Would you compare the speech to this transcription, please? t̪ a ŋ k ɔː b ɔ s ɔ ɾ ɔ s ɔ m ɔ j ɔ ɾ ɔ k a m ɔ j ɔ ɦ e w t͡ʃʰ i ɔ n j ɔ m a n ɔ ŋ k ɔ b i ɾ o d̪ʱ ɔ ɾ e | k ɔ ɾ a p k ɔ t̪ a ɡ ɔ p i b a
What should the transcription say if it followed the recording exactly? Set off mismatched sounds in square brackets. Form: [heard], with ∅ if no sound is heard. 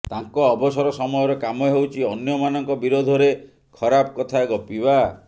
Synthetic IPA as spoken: t̪ a ŋ k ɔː b ɔ s ɔ ɾ ɔ s ɔ m ɔ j ɔ ɾ ɔ k a m ɔ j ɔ ɦ e w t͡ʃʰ i ɔ n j ɔ m a n ɔ ŋ k ɔ b i ɾ o d̪ʱ ɔ ɾ e | [kʰ] ɔ ɾ a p k ɔ [t̪ʰ] a ɡ ɔ p i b a